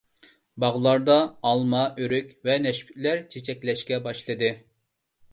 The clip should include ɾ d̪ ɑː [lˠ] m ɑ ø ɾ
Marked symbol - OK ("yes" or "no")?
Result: yes